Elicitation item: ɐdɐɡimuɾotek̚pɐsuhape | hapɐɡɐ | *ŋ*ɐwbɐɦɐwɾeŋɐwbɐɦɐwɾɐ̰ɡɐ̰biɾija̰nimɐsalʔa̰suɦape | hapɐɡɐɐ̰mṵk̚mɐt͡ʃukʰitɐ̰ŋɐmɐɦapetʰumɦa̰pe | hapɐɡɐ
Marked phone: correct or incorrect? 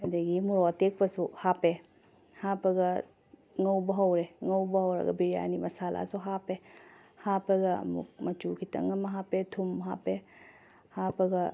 correct